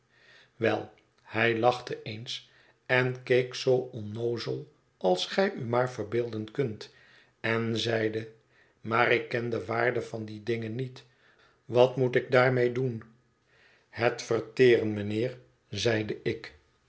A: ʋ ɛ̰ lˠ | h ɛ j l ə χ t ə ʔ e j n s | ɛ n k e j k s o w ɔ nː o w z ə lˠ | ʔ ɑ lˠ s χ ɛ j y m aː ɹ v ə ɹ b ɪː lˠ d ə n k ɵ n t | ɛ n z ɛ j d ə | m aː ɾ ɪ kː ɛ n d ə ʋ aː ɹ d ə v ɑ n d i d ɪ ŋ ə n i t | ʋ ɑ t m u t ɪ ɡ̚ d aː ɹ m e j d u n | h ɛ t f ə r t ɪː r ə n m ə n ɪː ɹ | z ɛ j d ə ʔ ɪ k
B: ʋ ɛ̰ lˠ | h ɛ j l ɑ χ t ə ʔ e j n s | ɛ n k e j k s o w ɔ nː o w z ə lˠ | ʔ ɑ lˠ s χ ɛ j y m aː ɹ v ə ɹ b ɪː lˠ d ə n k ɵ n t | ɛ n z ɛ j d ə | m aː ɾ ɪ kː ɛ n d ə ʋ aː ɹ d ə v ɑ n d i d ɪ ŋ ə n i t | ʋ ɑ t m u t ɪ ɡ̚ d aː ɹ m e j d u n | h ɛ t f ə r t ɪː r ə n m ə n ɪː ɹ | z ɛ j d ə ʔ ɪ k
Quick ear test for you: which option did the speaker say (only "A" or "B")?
B